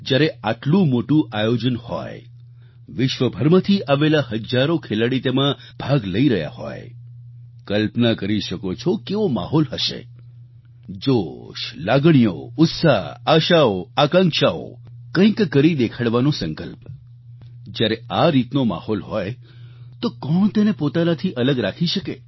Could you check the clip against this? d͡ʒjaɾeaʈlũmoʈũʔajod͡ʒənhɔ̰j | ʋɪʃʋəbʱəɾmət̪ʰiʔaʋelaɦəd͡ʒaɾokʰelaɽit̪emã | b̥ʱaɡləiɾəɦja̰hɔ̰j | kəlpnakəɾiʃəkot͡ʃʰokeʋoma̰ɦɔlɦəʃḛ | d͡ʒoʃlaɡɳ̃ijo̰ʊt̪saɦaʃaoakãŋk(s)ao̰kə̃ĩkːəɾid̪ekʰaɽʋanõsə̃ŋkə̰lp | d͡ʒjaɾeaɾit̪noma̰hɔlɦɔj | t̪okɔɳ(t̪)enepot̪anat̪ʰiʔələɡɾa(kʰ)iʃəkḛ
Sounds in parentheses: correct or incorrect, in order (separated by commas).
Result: incorrect, correct, correct